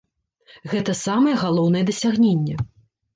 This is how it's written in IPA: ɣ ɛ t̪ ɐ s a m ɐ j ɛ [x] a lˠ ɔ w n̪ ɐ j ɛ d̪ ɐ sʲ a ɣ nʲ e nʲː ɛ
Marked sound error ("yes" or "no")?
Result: yes